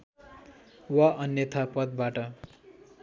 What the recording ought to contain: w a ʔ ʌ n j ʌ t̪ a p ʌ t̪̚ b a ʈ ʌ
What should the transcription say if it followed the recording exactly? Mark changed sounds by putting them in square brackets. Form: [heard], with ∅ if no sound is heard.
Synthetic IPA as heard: w a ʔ ʌ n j ʌ [t̪ʰ] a p ʌ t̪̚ b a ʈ ʌ